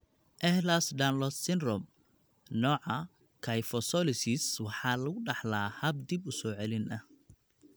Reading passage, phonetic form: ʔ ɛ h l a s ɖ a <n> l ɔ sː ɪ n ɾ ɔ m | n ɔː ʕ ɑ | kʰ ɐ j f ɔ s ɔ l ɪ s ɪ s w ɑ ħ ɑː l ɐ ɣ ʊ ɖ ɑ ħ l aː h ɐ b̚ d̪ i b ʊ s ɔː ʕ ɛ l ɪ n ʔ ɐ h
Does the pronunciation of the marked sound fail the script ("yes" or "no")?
no